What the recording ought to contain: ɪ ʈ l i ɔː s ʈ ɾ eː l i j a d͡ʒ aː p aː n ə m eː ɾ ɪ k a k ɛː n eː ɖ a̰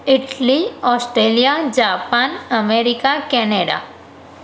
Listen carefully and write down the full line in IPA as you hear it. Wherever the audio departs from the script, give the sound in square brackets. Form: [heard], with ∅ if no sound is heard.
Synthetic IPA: ɪ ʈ l i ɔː s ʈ ɾ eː l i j a d͡ʒ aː p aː n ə m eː ɾ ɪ k a k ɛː n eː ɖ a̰